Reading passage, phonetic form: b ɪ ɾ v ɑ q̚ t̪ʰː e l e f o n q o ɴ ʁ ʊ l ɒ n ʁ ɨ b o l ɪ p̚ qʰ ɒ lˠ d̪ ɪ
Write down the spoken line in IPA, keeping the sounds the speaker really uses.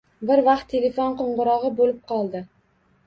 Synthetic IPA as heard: b ɪ ɾ v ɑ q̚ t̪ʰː e l e f o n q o ɴ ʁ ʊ ɾ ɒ ʁ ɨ b o l ɪ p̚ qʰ ɒ lˠ d̪ ɪ